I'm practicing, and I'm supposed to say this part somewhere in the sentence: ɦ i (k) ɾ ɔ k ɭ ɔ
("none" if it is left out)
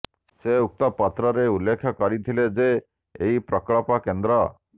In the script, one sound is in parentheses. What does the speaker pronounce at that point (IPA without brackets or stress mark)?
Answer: p